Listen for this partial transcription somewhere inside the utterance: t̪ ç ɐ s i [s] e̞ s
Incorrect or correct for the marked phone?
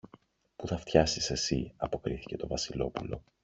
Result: correct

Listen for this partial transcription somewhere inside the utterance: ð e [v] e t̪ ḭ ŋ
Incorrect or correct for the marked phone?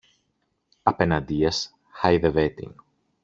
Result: correct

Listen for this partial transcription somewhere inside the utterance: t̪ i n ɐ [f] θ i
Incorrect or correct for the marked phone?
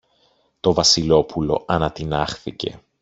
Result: incorrect: x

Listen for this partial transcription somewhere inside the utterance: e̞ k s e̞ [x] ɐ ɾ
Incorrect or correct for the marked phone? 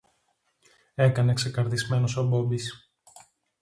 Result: incorrect: k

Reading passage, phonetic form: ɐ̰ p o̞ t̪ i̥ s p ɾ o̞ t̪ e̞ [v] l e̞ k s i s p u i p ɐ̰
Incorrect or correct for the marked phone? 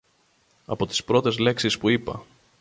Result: incorrect: z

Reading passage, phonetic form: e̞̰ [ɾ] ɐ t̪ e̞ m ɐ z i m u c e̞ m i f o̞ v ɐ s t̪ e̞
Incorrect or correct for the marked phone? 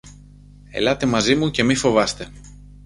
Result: incorrect: l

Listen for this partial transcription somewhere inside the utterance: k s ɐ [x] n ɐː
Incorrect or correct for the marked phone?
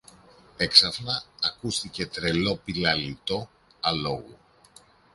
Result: incorrect: f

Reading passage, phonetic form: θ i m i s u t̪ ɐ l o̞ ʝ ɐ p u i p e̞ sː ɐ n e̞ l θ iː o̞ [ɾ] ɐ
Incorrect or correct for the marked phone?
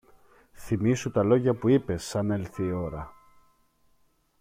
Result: correct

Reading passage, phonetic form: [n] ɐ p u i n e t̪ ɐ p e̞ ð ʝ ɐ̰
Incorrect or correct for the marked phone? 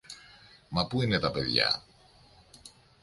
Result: incorrect: m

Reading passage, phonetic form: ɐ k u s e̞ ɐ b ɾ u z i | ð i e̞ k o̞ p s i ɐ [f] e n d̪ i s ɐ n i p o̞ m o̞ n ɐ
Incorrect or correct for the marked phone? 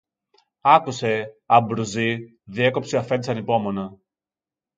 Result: correct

